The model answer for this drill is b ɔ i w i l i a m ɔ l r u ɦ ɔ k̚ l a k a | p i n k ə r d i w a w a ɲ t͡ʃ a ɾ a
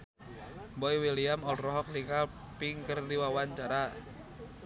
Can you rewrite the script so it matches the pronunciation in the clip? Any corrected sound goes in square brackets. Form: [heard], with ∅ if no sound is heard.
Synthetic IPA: b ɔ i w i l i a m ɔ l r [ɔ] ɦ ɔ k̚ l [i] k a | p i [ŋ] k ə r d i w a w a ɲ t͡ʃ a ɾ a